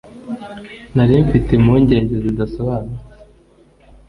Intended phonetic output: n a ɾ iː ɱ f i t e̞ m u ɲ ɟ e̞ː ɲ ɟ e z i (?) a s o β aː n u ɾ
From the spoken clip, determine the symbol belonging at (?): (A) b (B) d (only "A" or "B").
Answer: B